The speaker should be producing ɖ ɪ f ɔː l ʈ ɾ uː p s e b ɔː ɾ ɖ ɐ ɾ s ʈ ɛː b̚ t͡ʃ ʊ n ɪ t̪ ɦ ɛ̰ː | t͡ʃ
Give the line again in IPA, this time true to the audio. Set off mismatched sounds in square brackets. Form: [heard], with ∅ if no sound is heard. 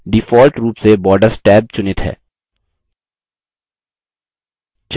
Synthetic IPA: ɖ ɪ f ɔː l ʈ ɾ uː p s e b ɔː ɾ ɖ [ə] ɾ s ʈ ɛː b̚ t͡ʃ ʊ n ɪ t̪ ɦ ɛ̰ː | t͡ʃ